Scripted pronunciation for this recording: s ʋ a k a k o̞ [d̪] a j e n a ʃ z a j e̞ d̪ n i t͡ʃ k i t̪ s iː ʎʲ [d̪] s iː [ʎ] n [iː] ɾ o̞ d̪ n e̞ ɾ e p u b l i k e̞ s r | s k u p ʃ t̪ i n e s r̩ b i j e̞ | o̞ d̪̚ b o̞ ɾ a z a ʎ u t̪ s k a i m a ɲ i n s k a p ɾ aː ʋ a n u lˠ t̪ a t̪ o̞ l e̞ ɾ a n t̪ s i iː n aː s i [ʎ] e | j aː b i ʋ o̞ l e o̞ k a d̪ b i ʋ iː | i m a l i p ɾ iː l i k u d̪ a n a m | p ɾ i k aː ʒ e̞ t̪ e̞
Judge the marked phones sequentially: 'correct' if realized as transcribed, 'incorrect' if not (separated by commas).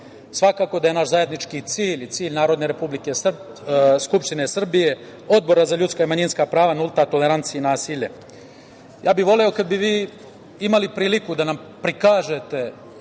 correct, incorrect, correct, incorrect, correct